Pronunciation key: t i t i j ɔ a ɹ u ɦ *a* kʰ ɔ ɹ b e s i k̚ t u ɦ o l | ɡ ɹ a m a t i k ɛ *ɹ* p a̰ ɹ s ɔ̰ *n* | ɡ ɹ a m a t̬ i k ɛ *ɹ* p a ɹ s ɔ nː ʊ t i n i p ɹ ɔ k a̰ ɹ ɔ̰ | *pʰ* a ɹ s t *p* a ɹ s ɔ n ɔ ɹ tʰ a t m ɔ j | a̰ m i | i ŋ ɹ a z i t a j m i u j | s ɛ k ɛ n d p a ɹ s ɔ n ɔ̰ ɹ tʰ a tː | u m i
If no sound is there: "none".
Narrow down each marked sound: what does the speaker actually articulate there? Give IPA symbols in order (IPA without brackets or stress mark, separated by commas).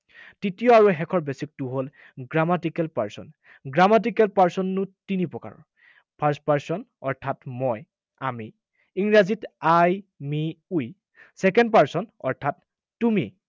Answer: ɛ, l, n, l, pʰ, p